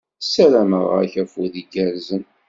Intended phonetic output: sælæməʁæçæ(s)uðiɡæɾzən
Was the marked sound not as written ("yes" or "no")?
yes